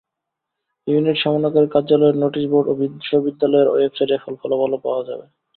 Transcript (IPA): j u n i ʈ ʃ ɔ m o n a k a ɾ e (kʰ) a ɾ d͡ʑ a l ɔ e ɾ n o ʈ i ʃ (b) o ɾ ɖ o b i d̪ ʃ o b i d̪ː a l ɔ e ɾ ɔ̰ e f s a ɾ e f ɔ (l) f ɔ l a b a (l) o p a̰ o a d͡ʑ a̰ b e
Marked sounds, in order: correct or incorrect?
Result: incorrect: k, correct, correct, correct

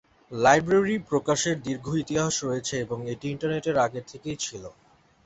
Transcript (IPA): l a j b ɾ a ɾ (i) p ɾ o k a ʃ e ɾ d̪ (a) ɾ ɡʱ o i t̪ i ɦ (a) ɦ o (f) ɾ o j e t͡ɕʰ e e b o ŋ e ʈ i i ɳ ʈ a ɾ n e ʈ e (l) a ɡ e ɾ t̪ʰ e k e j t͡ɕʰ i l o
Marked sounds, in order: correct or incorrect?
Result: correct, incorrect: i, correct, incorrect: ʃ, incorrect: ɾ

